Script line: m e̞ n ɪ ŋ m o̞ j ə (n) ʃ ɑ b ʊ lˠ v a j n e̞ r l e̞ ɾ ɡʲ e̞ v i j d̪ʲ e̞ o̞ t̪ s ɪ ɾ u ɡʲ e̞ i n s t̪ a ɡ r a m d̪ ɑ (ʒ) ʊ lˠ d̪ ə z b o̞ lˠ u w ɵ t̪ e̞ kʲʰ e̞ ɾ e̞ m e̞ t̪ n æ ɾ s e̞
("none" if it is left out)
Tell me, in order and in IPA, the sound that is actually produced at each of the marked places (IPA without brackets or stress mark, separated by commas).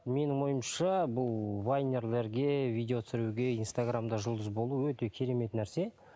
m, ʒ